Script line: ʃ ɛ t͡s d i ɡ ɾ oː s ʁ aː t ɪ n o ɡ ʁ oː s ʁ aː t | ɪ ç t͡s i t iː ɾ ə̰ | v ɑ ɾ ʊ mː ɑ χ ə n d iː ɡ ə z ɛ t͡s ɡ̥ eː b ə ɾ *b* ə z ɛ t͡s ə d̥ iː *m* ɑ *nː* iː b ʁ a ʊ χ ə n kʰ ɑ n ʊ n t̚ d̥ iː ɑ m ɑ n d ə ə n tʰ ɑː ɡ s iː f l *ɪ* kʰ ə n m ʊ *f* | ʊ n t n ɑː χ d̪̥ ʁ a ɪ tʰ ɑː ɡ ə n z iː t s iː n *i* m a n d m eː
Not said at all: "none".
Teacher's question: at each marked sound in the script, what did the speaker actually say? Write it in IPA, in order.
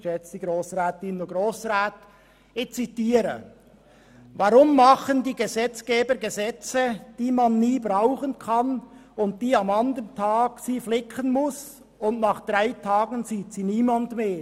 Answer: ɡ, m, nː, ɪ, s, iː

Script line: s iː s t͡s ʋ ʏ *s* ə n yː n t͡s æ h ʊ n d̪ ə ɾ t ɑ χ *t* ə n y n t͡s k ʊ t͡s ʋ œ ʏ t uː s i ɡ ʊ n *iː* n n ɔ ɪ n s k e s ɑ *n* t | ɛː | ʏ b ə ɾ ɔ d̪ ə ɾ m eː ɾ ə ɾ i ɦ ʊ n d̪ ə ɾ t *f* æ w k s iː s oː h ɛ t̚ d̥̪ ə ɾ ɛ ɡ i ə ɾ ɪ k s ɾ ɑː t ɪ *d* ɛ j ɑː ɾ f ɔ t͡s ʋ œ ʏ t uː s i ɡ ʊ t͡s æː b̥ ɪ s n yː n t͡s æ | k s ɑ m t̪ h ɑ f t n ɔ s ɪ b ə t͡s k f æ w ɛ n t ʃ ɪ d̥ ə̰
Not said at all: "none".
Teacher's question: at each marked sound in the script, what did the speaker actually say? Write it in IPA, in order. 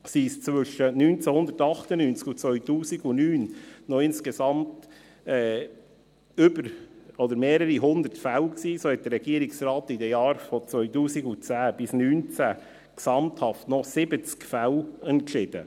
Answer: ʃ, t, yː, m, f, d

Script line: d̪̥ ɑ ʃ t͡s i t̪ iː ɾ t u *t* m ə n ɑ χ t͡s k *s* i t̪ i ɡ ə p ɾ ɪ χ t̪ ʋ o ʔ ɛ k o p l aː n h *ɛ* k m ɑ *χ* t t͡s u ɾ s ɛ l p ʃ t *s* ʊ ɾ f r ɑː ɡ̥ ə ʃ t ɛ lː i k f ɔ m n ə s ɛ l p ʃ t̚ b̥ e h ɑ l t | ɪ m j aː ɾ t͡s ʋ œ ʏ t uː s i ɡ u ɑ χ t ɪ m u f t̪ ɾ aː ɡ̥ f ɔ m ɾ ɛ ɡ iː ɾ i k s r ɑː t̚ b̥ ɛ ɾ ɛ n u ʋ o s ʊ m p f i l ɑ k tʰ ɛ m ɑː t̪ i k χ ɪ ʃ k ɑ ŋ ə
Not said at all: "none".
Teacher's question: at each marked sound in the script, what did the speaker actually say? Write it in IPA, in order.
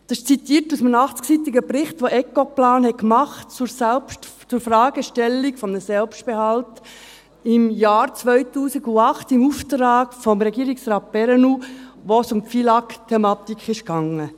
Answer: s, s, ɛ, χ, t͡s

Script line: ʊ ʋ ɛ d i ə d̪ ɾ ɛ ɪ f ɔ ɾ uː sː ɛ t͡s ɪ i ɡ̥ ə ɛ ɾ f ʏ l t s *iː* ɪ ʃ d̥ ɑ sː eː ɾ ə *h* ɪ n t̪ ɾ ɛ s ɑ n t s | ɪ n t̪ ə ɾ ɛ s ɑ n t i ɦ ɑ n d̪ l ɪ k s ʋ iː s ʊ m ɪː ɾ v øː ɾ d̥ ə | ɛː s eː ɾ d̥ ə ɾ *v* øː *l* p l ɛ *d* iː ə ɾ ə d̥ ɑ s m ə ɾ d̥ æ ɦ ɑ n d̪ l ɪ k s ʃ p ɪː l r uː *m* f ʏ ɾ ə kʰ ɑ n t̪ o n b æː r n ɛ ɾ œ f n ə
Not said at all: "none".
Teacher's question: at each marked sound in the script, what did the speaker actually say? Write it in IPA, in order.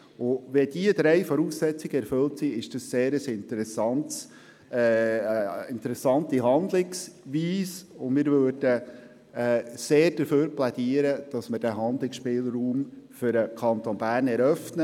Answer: i, s, f, ɾ, d, m

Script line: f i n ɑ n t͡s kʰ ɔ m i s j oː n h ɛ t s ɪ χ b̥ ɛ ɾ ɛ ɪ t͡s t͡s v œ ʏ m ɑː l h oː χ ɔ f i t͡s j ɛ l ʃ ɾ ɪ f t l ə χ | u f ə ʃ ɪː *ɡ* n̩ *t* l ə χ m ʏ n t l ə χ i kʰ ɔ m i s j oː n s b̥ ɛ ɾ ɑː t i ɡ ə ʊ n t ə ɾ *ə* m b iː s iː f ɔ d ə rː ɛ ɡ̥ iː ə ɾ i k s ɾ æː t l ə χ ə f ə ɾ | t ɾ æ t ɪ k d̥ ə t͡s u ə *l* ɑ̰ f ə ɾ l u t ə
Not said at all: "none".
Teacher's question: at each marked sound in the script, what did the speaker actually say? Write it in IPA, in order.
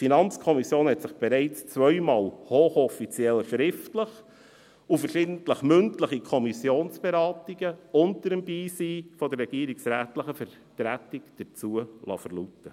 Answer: d, t, ə, l

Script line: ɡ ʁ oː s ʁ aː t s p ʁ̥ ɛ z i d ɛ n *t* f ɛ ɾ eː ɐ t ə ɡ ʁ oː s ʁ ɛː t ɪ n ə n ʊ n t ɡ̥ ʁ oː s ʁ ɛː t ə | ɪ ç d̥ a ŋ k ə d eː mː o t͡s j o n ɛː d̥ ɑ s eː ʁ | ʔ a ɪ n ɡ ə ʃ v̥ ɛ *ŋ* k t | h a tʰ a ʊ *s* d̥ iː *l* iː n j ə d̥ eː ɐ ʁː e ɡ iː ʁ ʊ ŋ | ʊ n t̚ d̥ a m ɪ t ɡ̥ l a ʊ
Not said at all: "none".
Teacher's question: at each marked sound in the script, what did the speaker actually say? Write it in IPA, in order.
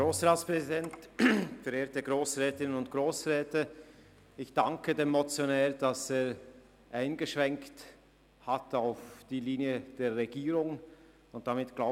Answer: t, ŋ, f, l

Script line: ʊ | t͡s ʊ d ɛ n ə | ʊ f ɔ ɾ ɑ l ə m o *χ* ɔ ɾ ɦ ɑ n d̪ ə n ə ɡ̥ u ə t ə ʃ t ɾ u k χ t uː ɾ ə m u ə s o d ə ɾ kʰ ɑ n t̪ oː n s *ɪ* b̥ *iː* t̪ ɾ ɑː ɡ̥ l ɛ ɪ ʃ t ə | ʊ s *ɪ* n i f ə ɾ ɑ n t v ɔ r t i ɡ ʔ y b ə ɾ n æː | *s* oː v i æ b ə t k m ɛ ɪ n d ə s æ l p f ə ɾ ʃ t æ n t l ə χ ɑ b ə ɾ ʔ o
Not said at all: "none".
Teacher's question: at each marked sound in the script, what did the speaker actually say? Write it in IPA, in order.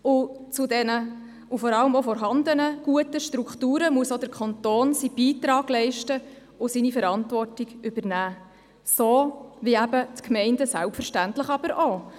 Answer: f, i, iː, i, s

